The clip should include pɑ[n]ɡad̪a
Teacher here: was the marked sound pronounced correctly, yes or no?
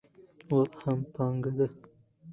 no